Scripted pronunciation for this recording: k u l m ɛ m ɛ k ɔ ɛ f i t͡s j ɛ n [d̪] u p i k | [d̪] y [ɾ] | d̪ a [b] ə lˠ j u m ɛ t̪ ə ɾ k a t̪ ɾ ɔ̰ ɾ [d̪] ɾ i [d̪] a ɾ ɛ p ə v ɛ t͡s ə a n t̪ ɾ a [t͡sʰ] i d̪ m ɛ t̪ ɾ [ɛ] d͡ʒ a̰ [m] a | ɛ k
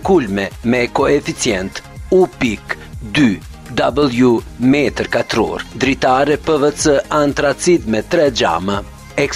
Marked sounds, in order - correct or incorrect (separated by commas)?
incorrect, correct, incorrect, correct, correct, incorrect, incorrect, correct, correct